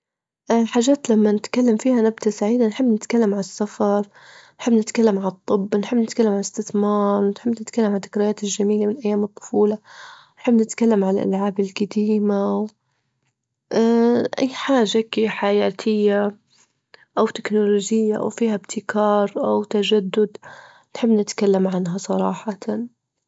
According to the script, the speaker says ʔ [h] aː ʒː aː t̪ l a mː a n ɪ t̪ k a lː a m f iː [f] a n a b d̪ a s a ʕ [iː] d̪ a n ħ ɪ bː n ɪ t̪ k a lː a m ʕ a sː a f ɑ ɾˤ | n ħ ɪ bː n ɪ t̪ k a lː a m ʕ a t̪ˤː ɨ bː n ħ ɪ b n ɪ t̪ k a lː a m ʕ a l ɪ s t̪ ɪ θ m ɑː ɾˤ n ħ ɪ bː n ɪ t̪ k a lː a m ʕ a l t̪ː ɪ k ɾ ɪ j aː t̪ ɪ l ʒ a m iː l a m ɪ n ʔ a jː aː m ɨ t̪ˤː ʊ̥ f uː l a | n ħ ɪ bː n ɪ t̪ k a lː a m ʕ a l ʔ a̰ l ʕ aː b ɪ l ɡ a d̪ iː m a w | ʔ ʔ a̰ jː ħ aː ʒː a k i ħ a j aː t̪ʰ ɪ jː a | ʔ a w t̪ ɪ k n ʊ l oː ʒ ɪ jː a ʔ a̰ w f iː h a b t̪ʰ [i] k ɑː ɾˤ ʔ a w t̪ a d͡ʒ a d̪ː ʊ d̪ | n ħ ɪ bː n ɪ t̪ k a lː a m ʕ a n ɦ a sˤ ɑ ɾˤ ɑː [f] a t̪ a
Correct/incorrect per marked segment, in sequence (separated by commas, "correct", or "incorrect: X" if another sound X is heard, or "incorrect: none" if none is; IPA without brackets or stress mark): incorrect: ħ, incorrect: h, correct, incorrect: ɪ, incorrect: ħ